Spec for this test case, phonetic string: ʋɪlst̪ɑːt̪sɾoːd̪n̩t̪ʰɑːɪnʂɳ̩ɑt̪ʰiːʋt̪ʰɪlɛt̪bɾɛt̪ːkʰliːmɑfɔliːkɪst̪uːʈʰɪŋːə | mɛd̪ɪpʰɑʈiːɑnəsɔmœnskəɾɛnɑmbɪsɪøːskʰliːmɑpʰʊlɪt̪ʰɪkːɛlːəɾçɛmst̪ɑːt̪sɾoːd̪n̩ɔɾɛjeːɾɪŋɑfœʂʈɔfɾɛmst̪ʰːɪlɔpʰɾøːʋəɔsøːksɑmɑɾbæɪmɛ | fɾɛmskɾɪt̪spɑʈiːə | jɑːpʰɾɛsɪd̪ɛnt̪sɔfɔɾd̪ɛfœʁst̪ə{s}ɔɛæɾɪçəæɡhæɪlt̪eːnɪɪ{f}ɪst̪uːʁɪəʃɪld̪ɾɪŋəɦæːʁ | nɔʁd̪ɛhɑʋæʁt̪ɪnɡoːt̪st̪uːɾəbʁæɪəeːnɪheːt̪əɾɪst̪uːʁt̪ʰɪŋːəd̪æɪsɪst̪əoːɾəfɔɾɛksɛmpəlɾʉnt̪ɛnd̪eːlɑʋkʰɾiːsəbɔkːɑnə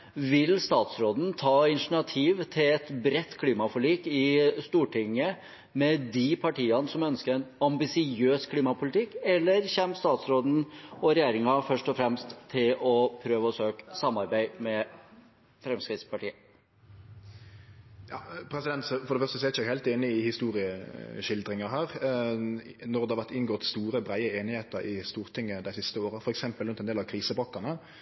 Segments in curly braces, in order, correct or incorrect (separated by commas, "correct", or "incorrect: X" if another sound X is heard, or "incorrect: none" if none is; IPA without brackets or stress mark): correct, incorrect: h